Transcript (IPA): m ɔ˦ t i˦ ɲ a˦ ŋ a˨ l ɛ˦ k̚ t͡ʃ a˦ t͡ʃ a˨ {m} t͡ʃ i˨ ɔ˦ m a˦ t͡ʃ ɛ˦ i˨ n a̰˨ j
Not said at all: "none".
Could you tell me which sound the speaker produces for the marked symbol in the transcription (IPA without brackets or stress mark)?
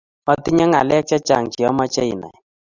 ŋ